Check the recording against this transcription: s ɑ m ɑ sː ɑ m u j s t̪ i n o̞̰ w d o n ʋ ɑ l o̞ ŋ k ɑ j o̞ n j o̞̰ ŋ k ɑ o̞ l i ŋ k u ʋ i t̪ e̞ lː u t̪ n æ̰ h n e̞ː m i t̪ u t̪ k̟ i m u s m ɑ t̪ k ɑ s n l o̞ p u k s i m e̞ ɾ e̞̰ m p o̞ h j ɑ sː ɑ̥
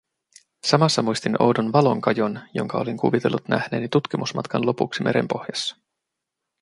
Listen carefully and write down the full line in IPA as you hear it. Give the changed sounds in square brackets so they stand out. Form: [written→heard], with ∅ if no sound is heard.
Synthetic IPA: s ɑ m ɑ sː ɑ m u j s t̪ i n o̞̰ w d o n ʋ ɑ l o̞ ŋ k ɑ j o̞ n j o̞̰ ŋ k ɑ o̞ l i ŋ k u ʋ i t̪ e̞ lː u t̪ n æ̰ h n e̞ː [m→n] i t̪ u t̪ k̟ i m u s m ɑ t̪ k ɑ [s→∅] n l o̞ p u k s i m e̞ ɾ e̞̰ m p o̞ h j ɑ sː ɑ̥